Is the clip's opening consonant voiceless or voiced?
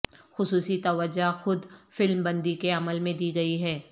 voiceless